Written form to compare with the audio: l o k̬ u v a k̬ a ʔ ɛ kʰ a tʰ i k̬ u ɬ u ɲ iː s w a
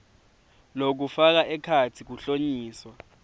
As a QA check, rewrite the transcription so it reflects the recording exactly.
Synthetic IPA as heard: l o k̬ u f a k̬ a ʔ ɛ kʰ a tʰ i k̬ u ɬ o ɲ iː s w a